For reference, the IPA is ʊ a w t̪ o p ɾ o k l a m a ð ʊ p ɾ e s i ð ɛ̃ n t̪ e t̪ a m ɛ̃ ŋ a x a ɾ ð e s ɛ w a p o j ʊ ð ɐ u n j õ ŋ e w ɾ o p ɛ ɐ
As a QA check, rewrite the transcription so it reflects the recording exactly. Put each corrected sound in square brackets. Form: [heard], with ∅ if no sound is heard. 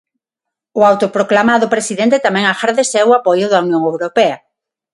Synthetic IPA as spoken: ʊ a w t̪ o p ɾ o k l a m a ð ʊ p ɾ e s i ð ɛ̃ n t̪ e t̪ a m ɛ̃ ŋ a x a ɾ ð e s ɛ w a p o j ʊ ð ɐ u n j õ ŋ e w ɾ o p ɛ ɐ

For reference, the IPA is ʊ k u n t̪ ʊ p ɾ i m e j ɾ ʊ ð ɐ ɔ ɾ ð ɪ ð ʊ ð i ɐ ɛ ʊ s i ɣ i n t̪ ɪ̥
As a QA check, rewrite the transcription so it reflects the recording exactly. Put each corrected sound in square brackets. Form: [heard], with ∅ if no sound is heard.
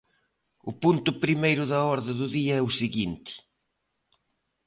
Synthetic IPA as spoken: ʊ [p] u n t̪ ʊ p ɾ i m e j ɾ ʊ ð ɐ ɔ ɾ ð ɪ ð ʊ ð i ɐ ɛ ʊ s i ɣ i n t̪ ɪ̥

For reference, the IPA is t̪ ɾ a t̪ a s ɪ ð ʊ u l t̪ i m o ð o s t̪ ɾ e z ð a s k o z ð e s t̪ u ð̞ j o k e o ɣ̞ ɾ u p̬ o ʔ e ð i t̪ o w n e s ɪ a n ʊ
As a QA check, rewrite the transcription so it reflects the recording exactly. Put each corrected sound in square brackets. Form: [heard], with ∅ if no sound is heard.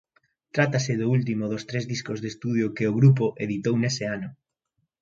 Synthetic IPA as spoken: t̪ ɾ a t̪ a s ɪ ð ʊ u l t̪ i m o ð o s t̪ ɾ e z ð [i] s k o z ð e s t̪ u ð̞ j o k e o ɣ̞ ɾ u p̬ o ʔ e ð i t̪ o w n e s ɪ a n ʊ

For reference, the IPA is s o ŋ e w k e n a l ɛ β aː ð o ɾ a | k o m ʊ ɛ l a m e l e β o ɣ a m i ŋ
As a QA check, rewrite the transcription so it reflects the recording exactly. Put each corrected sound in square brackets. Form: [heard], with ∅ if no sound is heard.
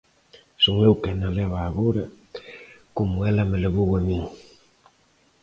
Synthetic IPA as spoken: s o ŋ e w k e n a l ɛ β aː [ɣ] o ɾ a | k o m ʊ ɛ l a m e l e β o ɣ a m i ŋ

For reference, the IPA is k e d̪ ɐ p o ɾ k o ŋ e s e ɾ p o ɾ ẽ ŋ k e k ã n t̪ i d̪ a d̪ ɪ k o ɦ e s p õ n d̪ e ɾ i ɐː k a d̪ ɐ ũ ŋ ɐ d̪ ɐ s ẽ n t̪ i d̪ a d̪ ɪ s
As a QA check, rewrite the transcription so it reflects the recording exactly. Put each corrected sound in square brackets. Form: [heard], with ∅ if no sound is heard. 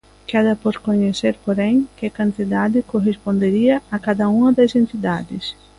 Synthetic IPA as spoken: k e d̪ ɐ p o ɾ k o [ɲ] e s e ɾ p o ɾ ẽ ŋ k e k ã n t̪ i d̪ a d̪ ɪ k o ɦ e s p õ n d̪ e ɾ i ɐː k a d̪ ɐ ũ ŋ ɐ d̪ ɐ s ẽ n t̪ i d̪ a d̪ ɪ s

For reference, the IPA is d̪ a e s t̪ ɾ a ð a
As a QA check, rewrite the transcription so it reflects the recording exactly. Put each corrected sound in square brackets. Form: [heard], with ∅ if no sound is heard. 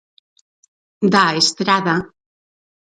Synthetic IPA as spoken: d̪ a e s t̪ ɾ a ð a

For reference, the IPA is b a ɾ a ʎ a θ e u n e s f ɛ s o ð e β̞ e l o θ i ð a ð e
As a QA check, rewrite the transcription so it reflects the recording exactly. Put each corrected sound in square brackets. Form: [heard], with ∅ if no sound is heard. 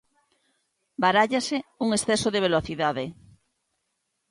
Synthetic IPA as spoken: b a ɾ a ʎ a [s] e u [ŋ] e s [θ] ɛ s o ð e β̞ e l o θ i ð a ð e

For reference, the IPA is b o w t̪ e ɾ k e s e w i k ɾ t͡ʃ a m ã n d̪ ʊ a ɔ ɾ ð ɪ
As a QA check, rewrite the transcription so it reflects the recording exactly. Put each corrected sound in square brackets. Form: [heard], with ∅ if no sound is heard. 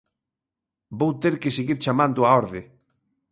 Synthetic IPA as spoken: b o w t̪ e ɾ k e s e [ɣ] i [∅] ɾ t͡ʃ a m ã n d̪ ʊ a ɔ ɾ ð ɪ

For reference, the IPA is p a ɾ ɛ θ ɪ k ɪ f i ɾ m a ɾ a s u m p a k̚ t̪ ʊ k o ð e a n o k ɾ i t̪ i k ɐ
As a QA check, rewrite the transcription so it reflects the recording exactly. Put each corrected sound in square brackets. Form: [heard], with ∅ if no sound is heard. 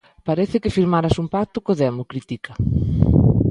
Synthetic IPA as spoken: p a ɾ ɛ θ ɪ k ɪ f i ɾ m a ɾ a s u m p a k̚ t̪ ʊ k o ð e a [m] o k ɾ i t̪ i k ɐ

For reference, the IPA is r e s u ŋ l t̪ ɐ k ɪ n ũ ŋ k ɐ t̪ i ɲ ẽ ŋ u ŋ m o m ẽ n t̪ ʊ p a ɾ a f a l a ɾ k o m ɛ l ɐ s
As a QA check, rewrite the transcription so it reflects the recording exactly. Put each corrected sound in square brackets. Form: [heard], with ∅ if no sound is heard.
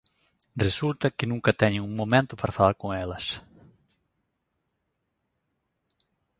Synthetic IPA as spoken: r e s u [∅] l t̪ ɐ k ɪ n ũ ŋ k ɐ t̪ [ɛ] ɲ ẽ ŋ u ŋ m o m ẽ n t̪ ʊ p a ɾ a f a l a ɾ k o [ŋ] ɛ l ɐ s

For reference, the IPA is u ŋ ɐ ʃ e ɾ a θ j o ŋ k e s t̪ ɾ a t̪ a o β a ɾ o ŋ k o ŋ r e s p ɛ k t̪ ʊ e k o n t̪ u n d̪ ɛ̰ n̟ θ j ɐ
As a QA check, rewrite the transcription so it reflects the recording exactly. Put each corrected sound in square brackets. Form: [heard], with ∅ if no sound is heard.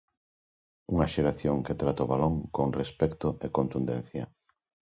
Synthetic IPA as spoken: u ŋ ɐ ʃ e ɾ a θ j o ŋ k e [∅] t̪ ɾ a t̪ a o β a [l] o ŋ k o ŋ r e s p ɛ k t̪ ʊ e k o n t̪ u n d̪ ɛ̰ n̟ θ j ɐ

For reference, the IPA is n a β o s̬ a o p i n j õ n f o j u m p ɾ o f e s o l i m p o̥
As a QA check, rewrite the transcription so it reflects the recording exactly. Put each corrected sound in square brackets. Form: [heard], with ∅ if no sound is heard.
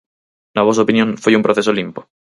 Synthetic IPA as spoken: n a β o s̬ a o p i n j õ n f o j u m p ɾ o [θ] e s o l i m p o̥

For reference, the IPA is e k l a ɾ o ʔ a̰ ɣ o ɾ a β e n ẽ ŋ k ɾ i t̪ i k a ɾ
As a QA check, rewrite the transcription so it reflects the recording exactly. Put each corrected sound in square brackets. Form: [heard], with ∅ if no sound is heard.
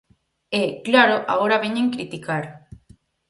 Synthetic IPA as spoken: e k l a ɾ o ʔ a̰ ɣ o ɾ a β e [ɲ] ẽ ŋ k ɾ i t̪ i k a ɾ

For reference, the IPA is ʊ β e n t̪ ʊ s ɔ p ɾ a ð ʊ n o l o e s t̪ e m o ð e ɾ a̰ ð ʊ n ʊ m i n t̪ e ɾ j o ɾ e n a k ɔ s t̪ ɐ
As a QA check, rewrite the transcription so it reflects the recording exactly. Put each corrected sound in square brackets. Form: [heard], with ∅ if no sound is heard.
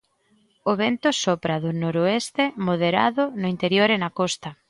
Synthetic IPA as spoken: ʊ β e n t̪ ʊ s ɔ p ɾ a ð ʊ n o [ɾ] o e s t̪ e m o ð e ɾ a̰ ð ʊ n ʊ [∅] i n t̪ e ɾ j o ɾ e n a k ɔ s t̪ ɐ

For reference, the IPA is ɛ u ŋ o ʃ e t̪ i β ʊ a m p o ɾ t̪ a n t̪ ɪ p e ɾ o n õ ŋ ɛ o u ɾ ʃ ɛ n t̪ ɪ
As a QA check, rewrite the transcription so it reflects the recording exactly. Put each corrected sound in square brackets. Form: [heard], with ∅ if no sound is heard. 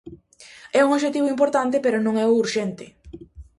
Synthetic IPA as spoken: ɛ u ŋ o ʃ e t̪ i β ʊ [i] m p o ɾ t̪ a n t̪ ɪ p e ɾ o n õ ŋ ɛ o u ɾ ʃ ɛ n t̪ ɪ

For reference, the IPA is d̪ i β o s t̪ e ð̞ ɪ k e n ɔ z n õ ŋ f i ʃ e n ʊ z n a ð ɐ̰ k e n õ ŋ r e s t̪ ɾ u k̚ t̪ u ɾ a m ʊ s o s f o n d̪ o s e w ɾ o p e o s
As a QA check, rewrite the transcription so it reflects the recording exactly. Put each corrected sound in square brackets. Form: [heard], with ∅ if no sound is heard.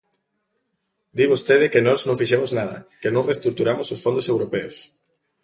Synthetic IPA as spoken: d̪ i β o s t̪ e ð̞ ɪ k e n ɔ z n õ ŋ f i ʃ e [m] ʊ z n a ð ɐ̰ k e n õ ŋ r e s t̪ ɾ u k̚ t̪ u ɾ a m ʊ s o s f o n d̪ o s e w ɾ o p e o s

